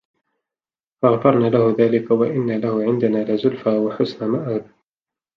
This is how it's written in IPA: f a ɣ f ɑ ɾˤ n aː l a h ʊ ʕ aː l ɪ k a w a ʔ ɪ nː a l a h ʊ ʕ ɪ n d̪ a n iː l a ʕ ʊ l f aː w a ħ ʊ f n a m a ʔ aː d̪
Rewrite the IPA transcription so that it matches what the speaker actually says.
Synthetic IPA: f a ɣ f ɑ ɾˤ n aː l a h ʊ ð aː l ɪ k a w a ʔ ɪ nː a l a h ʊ ʕ ɪ n d̪ a n aː l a z ʊ l f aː w a ħ ʊ s n a m a ʔ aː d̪